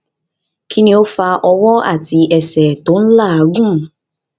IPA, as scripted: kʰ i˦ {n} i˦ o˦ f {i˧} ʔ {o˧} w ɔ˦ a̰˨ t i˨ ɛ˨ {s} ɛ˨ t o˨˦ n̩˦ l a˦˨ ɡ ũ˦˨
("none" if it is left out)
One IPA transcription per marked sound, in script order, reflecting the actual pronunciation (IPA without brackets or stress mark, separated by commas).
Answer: n, a˧, ɔ˧, s